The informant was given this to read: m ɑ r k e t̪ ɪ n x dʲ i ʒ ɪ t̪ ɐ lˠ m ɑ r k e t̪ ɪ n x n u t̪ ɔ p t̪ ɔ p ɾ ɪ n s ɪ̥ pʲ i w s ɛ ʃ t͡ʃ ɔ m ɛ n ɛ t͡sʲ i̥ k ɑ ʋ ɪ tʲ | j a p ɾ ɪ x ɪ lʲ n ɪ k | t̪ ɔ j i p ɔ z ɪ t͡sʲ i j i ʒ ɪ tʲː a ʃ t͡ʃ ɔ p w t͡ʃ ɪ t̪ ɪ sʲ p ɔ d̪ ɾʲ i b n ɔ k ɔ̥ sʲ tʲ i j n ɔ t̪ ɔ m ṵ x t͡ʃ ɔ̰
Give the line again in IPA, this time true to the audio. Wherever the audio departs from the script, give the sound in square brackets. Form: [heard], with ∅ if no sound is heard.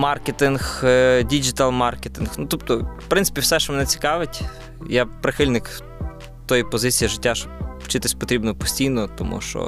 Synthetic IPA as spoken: m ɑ r k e t̪ ɪ n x dʲ i [d͡ʒ] ɪ t̪ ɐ lˠ m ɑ r k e t̪ ɪ n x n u t̪ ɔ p t̪ ɔ p ɾ ɪ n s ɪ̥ pʲ i w s ɛ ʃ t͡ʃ ɔ m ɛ n ɛ t͡sʲ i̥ k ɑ ʋ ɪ tʲ | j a p ɾ ɪ x ɪ lʲ n ɪ k | t̪ ɔ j i p ɔ z ɪ t͡sʲ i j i ʒ ɪ tʲː a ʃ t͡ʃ ɔ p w t͡ʃ ɪ t̪ ɪ sʲ p ɔ [t̪] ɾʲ i b n ɔ [p] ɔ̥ sʲ tʲ i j n ɔ t̪ ɔ m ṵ [ʃ] t͡ʃ ɔ̰